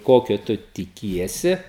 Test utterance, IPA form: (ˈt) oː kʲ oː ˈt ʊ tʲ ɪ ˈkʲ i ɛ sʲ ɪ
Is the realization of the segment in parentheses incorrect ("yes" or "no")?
yes